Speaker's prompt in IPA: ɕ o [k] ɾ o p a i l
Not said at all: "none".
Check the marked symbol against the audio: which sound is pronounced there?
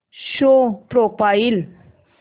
p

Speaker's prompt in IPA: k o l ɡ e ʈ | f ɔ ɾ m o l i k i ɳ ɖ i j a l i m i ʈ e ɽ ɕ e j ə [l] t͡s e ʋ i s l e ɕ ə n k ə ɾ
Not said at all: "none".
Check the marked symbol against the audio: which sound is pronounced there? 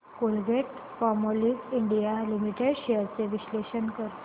ɾ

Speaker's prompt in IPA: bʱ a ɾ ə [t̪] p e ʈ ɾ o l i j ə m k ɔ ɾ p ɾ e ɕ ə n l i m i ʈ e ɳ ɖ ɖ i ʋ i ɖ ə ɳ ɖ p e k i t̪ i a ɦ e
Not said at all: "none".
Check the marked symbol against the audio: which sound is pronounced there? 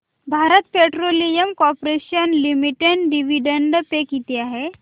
t̪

